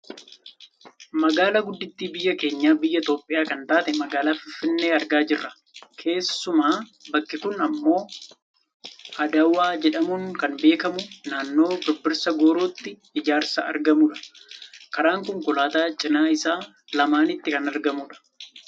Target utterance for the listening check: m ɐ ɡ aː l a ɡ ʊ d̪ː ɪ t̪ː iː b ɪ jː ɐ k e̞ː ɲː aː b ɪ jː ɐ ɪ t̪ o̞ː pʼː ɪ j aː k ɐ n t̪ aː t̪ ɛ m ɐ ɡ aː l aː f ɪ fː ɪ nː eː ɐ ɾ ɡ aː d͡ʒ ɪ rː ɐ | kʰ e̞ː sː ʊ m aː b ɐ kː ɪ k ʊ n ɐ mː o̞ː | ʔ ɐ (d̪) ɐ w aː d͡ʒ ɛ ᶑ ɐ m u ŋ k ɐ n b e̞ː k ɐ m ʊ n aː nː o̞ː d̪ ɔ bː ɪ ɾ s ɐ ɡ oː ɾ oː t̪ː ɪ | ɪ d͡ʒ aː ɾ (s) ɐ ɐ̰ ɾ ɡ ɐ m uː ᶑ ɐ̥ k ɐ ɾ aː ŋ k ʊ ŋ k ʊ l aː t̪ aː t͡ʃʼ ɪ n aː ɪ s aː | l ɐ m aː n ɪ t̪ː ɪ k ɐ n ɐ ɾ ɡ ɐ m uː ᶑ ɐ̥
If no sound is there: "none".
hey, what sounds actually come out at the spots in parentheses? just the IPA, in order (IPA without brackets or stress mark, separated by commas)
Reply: d̪, s